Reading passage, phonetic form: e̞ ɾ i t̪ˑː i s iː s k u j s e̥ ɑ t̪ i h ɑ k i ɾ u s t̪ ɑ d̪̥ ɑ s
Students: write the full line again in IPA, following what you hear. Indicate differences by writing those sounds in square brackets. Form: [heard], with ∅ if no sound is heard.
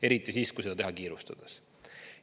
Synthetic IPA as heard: e̞ ɾ i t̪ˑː i s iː s k u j s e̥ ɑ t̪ [e] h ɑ k [iː] ɾ u s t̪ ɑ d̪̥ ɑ s